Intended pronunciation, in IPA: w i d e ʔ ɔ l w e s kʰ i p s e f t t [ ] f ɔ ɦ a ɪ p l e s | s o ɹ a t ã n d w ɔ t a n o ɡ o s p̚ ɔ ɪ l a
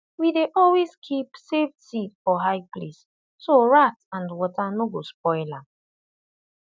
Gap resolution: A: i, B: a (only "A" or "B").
A